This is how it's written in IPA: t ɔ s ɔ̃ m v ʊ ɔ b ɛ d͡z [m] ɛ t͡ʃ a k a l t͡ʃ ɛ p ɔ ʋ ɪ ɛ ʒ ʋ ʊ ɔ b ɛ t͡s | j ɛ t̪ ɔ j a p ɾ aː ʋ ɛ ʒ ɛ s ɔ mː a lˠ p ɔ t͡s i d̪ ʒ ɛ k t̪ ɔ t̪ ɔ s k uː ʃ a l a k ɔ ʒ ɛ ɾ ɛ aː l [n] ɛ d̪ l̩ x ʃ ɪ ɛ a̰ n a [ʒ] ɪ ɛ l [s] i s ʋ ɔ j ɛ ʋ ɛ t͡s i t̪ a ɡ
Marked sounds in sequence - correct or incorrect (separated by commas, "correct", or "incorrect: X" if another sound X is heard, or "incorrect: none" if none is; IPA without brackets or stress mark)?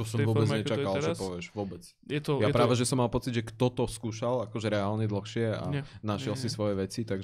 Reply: incorrect: ɲ, incorrect: ɲ, incorrect: ʃ, correct